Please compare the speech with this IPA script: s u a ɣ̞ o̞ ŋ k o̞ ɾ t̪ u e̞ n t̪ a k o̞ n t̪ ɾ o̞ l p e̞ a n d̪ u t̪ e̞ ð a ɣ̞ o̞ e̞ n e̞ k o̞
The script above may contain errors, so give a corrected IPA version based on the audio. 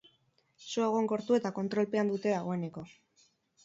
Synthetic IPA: s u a ɣ̞ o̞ ŋ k o̞ ɾ t̪ u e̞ t̪ a k o̞ n t̪ ɾ o̞ l p e̞ a n d̪ u t̪ e̞ ð a ɣ̞ o̞ e̞ n e̞ k o̞